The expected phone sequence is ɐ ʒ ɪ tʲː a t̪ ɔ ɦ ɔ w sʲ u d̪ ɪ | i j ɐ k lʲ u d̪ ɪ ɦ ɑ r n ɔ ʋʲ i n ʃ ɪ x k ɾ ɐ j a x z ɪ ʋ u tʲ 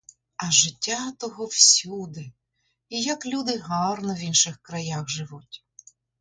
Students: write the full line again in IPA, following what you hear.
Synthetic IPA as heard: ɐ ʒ ɪ tʲː a t̪ ɔ ɦ ɔ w sʲ u d̪ ɪ | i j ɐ k lʲ u d̪ ɪ ɦ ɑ r n ɔ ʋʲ i n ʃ ɪ x k ɾ ɐ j a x ʒ ɪ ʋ u tʲ